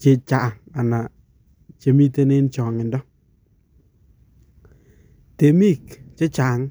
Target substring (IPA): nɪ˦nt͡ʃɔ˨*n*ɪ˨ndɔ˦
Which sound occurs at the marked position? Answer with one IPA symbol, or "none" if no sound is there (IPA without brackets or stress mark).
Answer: ŋ